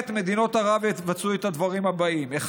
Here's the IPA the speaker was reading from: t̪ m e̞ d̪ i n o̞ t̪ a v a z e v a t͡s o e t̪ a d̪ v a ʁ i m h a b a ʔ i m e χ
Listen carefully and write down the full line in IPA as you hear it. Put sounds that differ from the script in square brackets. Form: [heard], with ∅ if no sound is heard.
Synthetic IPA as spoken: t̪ m e̞ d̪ i n o̞ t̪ a [ʁ] a [v] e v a t͡s [u] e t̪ a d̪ v a ʁ i m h a b a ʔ i m e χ